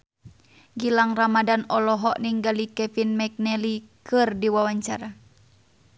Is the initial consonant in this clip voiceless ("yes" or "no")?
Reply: no